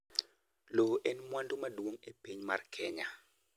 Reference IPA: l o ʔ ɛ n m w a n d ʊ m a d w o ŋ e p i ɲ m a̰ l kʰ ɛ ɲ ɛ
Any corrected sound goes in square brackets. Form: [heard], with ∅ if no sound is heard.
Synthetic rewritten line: l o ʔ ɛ n m w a n d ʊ m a d w o ŋ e p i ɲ m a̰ [r] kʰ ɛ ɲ [a]